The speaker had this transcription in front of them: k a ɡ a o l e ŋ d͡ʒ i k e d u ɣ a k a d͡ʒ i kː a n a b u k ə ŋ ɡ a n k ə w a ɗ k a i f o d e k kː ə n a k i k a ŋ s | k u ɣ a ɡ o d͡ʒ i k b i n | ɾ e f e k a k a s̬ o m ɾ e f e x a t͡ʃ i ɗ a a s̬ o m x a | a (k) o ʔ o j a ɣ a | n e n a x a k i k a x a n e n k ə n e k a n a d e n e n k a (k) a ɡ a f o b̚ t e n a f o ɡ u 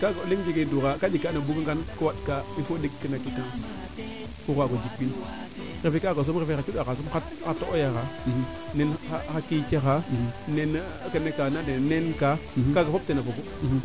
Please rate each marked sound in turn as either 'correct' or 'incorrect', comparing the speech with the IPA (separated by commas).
incorrect, correct